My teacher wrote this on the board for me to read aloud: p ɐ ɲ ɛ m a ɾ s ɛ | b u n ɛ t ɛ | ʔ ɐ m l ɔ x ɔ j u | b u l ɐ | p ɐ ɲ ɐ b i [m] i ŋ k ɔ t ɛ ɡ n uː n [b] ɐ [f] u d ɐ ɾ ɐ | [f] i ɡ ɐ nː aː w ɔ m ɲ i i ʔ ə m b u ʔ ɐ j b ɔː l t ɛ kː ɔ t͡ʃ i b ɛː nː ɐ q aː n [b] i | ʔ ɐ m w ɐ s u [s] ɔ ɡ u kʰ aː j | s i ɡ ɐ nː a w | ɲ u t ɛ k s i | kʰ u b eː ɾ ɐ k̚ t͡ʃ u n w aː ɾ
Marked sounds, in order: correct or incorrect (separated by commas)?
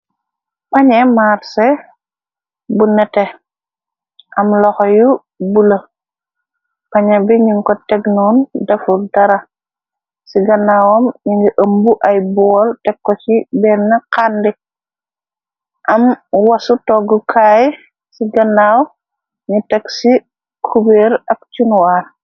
incorrect, incorrect, correct, incorrect, incorrect, incorrect